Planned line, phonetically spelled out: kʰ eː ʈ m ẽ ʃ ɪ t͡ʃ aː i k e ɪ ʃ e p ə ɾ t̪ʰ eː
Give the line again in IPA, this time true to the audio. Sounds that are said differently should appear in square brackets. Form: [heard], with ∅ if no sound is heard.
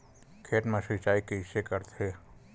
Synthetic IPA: kʰ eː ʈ m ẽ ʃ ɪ t͡ʃ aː i k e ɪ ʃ e [k] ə ɾ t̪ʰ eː